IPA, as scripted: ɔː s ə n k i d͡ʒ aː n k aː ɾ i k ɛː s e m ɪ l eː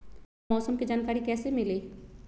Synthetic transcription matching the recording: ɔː s ə m k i d͡ʒ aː n k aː ɾ i k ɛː s e m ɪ l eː